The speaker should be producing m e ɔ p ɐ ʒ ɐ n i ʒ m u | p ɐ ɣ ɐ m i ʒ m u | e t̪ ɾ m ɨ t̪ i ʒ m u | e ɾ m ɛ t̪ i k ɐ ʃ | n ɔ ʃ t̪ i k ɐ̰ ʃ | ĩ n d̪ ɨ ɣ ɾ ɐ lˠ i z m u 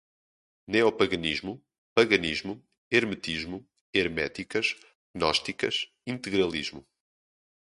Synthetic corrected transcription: n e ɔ p ɐ ɣ ɐ n i ʒ m u | p ɐ ɣ ɐ n i ʒ m u | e ɾ m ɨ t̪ i ʒ m u | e ɾ m ɛ t̪ i k ɐ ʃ | n ɔ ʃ t̪ i k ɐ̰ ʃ | ĩ n t̪ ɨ ɣ ɾ ɐ lˠ i ʒ m u

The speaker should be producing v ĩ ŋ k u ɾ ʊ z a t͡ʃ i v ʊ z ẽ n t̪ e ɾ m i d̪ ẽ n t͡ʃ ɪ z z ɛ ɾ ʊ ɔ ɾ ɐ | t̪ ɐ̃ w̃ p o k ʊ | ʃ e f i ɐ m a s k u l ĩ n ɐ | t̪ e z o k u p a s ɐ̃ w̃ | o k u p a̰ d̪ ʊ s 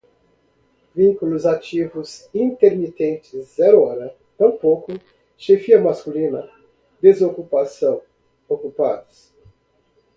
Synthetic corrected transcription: v ĩ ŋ k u l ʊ z a t͡ʃ i v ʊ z ĩ n t̪ e ɾ m i t̪ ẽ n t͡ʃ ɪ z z ɛ ɾ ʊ ɔ ɾ ɐ | t̪ ɐ̃ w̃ p o k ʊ | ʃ e f i ɐ m a s k u l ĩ n ɐ | d̪ e z o k u p a s ɐ̃ w̃ | o k u p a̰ d̪ ʊ s

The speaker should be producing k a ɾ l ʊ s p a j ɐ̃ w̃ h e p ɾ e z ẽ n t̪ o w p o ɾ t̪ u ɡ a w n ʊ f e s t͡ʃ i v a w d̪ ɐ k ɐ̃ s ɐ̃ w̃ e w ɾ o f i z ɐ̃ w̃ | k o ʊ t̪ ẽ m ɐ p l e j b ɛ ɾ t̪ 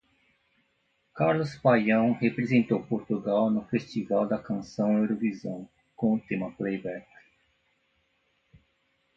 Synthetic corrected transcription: k a ɾ l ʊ s p a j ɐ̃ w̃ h e p ɾ e z ẽ n t̪ o w p o ɾ t̪ u ɡ a w n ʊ f e s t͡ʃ i v a w d̪ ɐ k ɐ̃ s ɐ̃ w̃ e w ɾ o v i z ɐ̃ w̃ | k õ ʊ t̪ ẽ m ɐ p l e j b ɛ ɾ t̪

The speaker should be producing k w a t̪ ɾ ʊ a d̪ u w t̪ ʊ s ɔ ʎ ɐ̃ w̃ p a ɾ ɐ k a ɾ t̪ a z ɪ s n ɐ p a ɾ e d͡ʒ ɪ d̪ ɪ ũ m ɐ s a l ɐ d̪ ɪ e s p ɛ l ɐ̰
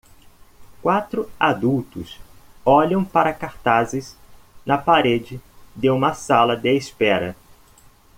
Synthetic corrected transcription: k w a t̪ ɾ ʊ a d̪ u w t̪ ʊ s ɔ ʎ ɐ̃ w̃ p a ɾ ɐ k a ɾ t̪ a z ɪ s n ɐ p a ɾ e d͡ʒ ɪ d̪ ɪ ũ m ɐ s a l ɐ d̪ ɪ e s p ɛ ɾ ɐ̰

